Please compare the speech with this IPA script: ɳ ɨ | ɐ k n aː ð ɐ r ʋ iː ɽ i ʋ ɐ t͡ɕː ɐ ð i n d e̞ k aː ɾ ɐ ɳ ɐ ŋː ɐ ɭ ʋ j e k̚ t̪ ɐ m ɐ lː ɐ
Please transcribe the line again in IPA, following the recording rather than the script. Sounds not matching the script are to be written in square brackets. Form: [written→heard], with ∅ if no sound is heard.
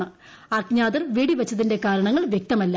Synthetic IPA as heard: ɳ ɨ | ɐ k [n→ɲ] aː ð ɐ r ʋ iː ɽ i ʋ ɐ t͡ɕː ɐ ð i n d e̞ k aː ɾ ɐ ɳ ɐ ŋː ɐ ɭ ʋ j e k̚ t̪ ɐ m ɐ lː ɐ